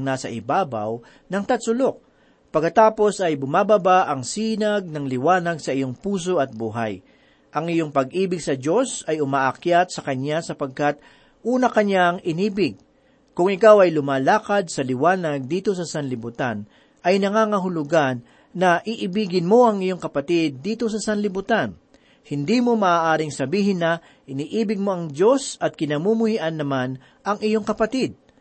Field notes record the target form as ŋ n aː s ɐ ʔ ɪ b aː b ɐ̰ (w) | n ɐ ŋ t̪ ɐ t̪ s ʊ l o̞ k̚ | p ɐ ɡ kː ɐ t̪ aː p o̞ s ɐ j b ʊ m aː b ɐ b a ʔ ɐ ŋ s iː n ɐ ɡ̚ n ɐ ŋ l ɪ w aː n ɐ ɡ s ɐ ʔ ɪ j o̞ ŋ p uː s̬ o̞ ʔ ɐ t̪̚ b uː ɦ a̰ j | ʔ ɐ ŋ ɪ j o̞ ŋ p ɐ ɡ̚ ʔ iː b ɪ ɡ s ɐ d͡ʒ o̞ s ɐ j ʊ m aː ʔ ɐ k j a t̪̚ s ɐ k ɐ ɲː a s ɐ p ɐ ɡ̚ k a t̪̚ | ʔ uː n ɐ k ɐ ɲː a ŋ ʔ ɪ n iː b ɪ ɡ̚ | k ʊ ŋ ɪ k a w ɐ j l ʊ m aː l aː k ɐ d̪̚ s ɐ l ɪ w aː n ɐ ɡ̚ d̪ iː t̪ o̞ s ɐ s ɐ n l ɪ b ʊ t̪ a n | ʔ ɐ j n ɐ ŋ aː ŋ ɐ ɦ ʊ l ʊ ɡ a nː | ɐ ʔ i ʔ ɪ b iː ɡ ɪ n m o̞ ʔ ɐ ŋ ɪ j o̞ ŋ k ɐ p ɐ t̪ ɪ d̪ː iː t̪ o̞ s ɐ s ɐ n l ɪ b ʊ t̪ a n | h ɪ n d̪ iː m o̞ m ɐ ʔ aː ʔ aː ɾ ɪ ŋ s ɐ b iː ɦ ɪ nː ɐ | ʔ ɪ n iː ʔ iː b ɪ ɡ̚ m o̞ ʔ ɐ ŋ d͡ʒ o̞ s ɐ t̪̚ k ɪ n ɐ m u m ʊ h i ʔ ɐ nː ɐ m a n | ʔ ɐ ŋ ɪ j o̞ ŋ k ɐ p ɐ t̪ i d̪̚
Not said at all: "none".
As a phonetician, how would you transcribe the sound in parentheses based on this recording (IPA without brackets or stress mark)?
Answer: w